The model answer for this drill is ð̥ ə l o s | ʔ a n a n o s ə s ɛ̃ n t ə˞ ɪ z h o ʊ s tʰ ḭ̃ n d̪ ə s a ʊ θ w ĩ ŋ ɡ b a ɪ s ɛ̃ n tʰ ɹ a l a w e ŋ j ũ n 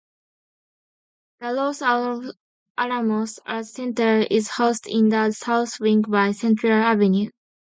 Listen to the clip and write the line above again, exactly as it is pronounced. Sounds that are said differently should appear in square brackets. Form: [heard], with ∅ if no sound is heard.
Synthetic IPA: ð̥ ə l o s | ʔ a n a [m] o s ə s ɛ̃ n t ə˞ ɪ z h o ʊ s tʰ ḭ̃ n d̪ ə s a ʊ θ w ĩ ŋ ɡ b a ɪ s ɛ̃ n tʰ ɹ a l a [v] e [n] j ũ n